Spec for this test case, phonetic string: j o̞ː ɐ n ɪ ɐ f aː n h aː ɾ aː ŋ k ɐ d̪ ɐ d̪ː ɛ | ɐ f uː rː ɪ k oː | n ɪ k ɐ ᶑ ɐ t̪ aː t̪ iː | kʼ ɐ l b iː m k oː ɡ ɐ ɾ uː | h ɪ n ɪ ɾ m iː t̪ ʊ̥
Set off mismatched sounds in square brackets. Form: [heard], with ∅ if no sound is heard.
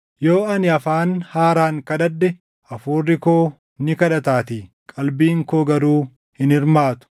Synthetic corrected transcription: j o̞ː ɐ n ɪ ɐ f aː n h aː ɾ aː ŋ k ɐ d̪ ɐ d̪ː ɛ | ɐ f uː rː ɪ k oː | n ɪ k ɐ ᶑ ɐ t̪ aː t̪ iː | kʼ ɐ l b iː [ŋ] k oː ɡ ɐ ɾ uː | h ɪ n ɪ ɾ m [aː] t̪ ʊ̥